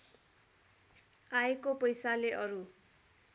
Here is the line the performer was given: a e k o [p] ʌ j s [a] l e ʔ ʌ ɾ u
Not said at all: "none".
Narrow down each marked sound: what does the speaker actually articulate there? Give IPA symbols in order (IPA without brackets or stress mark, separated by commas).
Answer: p, a